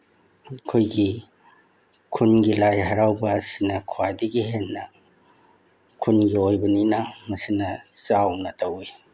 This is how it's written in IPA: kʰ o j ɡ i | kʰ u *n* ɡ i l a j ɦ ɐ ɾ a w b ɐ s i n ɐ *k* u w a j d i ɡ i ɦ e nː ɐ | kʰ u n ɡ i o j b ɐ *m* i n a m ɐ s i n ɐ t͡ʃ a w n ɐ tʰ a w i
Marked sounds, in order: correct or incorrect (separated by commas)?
correct, incorrect, incorrect